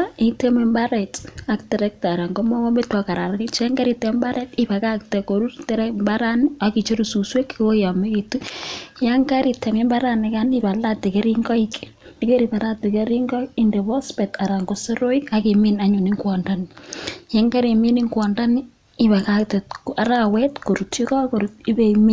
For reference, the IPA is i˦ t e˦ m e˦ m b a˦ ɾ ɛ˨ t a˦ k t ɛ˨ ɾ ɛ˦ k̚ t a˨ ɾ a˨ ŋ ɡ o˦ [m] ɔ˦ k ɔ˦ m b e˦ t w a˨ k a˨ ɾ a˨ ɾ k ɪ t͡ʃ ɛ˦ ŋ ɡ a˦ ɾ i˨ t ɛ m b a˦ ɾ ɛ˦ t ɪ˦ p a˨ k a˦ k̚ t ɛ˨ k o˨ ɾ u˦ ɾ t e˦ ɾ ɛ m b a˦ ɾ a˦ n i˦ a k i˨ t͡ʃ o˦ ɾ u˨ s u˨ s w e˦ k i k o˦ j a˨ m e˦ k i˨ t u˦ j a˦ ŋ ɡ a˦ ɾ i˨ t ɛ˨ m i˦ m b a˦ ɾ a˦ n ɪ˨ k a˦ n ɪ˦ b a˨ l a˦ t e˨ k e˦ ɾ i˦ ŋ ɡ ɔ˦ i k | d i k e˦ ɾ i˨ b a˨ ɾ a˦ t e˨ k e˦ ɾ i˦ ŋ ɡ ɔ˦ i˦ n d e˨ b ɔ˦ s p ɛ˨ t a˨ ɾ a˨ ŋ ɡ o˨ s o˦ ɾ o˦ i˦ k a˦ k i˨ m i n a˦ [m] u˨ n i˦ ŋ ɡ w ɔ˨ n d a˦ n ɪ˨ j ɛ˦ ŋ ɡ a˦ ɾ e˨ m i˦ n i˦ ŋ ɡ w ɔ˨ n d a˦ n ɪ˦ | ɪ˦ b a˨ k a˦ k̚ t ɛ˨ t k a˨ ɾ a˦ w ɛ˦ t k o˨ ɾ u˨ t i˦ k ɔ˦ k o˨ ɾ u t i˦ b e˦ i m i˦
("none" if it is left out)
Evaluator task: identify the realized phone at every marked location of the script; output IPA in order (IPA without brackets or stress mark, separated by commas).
m, ɲ